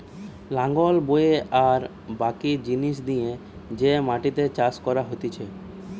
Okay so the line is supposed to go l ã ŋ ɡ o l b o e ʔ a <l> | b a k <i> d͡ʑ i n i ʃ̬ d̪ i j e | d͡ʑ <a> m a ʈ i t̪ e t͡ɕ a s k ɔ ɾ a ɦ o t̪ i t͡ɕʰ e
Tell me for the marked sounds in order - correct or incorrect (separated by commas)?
incorrect, correct, incorrect